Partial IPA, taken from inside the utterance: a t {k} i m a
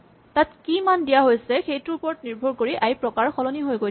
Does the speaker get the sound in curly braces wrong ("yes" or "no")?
no